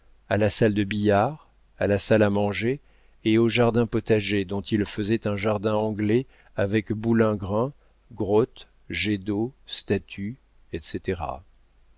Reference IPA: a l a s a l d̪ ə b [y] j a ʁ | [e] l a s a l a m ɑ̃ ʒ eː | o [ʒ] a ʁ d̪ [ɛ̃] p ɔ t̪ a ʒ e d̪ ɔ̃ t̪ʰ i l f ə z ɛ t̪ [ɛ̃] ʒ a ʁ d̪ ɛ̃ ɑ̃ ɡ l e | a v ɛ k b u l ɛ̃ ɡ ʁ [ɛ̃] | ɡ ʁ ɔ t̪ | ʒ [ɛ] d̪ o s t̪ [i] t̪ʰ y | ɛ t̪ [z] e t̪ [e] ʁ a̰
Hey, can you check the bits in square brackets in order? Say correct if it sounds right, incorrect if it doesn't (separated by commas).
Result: incorrect, incorrect, correct, correct, correct, correct, incorrect, incorrect, incorrect, correct